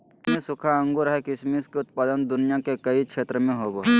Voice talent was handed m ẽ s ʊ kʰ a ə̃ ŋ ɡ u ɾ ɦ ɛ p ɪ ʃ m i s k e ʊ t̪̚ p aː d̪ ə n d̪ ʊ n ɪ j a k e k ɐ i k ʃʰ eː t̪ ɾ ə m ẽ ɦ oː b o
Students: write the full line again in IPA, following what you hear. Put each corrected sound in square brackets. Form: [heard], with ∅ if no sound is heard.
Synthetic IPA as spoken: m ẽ s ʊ kʰ a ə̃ ŋ ɡ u ɾ ɦ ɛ [k] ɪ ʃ m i s k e ʊ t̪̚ p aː d̪ ə n d̪ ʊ n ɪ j a k e k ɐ i k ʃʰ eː t̪ ɾ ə m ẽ ɦ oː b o